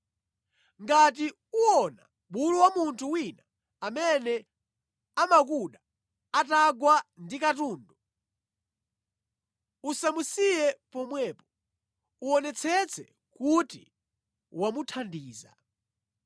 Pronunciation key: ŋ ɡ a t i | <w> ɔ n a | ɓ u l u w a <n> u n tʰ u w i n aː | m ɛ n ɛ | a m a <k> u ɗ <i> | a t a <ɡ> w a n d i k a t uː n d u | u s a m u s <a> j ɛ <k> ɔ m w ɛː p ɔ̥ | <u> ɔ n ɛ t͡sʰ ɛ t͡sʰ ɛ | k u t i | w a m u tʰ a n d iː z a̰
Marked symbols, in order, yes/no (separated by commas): no, no, yes, no, yes, no, no, yes